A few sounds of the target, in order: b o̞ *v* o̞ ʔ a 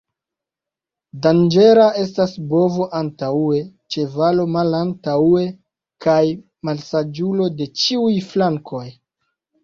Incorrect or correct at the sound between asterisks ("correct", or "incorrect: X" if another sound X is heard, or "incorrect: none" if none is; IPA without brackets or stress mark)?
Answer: correct